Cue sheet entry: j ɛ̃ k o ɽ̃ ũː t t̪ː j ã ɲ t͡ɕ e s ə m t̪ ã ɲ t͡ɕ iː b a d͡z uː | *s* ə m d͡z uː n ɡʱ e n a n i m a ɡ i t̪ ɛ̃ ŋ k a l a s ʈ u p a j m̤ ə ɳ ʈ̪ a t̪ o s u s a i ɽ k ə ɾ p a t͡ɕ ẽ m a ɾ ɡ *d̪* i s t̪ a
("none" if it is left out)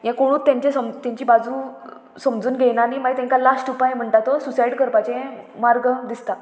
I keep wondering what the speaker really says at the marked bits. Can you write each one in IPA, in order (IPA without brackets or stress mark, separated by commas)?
s, d̪